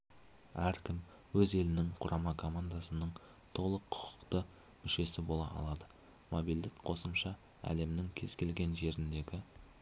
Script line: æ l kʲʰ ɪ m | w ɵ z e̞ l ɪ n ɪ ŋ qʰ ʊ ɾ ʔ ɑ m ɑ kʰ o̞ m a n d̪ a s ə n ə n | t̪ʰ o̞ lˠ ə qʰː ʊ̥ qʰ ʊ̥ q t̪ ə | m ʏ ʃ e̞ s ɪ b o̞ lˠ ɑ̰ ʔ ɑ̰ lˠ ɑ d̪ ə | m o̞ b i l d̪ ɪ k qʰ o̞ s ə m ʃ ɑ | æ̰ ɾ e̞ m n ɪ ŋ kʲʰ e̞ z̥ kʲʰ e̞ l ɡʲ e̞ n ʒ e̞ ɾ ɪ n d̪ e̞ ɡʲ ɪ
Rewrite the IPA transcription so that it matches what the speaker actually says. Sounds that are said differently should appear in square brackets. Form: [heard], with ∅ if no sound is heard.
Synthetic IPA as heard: æ [ɾ] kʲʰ ɪ m | w ɵ z e̞ l ɪ n ɪ ŋ qʰ ʊ ɾ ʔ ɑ m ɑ kʰ o̞ m a n d̪ a s ə n ə [ɴ] | t̪ʰ o̞ lˠ ə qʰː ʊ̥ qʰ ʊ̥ q t̪ ə | m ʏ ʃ e̞ s ɪ b o̞ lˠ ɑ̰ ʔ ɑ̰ lˠ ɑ d̪ ə | m o̞ b i l d̪ ɪ k qʰ o̞ s ə m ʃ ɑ | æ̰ [l] e̞ m n ɪ ŋ kʲʰ e̞ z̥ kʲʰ e̞ l ɡʲ e̞ n ʒ e̞ ɾ ɪ n d̪ e̞ ɡʲ ɪ